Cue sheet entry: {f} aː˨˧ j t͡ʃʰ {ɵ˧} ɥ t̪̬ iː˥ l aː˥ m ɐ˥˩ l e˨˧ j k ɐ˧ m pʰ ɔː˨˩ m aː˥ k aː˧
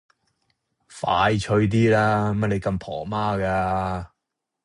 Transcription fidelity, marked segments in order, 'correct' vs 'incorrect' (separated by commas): correct, correct